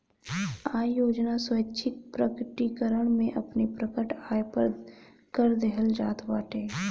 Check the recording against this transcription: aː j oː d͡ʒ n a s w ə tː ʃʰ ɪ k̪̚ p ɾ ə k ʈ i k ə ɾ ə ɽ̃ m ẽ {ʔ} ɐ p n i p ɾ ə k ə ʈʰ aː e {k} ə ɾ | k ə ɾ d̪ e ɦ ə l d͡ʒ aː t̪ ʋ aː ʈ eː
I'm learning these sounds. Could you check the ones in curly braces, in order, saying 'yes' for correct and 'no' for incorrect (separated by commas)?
yes, no